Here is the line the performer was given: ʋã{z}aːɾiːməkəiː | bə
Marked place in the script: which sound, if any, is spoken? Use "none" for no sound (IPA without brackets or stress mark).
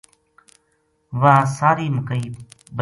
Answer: s